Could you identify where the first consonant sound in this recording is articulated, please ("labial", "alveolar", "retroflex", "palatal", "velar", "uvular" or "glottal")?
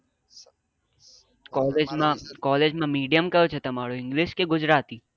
velar